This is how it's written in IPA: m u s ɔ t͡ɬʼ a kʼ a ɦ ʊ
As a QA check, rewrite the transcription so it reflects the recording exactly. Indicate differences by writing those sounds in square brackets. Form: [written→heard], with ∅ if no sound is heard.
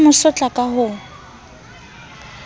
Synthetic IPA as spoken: m [u→ʊ] s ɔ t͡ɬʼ a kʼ a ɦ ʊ